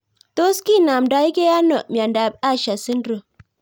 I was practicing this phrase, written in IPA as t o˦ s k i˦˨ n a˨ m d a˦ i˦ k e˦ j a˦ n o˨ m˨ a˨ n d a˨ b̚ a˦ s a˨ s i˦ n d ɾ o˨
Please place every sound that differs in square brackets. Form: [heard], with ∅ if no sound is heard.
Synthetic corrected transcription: t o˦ s k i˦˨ n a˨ m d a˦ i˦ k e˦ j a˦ n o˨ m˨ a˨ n d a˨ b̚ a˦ [ʃ] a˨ s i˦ n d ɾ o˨